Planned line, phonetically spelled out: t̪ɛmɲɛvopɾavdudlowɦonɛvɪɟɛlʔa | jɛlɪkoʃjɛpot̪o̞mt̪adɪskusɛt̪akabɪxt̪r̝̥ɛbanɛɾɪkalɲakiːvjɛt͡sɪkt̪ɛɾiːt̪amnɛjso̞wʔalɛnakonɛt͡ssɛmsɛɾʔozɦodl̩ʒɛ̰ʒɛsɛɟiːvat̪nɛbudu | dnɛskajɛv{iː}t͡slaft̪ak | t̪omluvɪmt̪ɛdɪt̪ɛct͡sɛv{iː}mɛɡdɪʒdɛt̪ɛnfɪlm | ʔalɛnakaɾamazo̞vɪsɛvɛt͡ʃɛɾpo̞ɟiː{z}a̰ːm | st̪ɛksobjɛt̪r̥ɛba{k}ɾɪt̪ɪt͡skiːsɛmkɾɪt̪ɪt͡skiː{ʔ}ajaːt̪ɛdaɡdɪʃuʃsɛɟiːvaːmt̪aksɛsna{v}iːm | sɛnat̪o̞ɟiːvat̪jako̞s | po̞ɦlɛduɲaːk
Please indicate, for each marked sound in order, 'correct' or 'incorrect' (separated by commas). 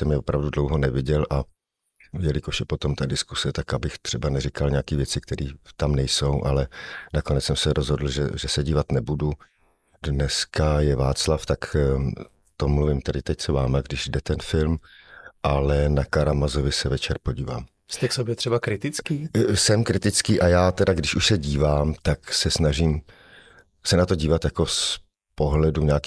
incorrect, incorrect, incorrect, correct, correct, incorrect